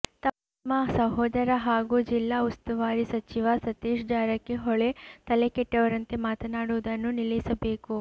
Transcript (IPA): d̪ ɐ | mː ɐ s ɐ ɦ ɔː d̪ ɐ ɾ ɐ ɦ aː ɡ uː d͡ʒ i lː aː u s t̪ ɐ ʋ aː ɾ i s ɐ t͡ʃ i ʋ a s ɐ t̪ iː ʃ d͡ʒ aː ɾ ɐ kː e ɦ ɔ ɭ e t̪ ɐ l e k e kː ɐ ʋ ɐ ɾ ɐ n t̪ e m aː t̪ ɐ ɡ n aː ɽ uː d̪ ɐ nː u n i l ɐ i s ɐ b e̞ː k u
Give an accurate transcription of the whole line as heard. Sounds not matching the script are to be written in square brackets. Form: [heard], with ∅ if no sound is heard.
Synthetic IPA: [t̪] ɐ | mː ɐ s ɐ ɦ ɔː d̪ ɐ ɾ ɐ ɦ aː ɡ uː d͡ʒ i lː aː u s t̪ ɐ ʋ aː ɾ i s ɐ t͡ʃ i ʋ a s ɐ t̪ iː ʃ d͡ʒ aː ɾ ɐ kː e ɦ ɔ ɭ e t̪ ɐ l e k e [ʈː] ɐ ʋ ɐ ɾ ɐ n t̪ e m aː t̪ ɐ [∅] n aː ɽ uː d̪ ɐ nː u n i l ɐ i s ɐ b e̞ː k u